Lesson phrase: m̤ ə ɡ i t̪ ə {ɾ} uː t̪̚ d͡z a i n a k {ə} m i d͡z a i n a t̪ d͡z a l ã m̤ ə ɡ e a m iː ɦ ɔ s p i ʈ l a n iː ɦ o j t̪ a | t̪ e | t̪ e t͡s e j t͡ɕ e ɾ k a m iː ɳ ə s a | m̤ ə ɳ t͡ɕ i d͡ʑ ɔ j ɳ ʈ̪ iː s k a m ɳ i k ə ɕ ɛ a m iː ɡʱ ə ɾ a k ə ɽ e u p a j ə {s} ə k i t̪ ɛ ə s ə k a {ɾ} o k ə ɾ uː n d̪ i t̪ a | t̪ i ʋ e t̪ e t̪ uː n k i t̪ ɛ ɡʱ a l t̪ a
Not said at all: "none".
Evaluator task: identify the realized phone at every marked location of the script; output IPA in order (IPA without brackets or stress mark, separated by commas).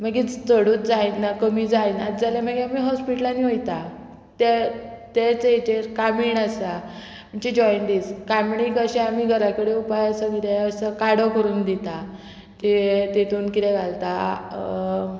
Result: ɽ, ə, s, ɽ